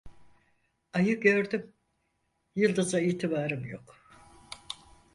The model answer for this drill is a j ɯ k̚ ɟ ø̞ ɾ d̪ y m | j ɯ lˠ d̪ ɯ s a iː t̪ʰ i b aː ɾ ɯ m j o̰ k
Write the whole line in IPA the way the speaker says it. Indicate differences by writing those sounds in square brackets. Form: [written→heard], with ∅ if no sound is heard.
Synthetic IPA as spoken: a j ɯ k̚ ɟ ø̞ ɾ d̪ y m | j ɯ lˠ d̪ ɯ [s→z] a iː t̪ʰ i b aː ɾ ɯ m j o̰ k